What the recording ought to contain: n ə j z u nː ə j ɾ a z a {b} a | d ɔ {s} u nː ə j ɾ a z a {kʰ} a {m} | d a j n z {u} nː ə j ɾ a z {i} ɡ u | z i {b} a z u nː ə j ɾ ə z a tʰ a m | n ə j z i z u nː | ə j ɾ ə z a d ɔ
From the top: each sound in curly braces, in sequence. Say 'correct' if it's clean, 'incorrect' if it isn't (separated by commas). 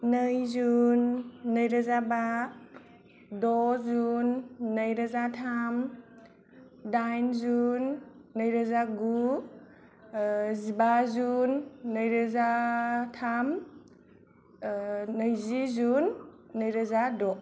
correct, incorrect, incorrect, correct, correct, incorrect, correct